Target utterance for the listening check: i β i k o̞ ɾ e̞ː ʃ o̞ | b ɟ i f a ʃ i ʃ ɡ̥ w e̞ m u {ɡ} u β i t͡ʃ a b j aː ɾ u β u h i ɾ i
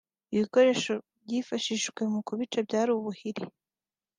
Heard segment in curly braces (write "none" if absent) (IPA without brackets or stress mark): k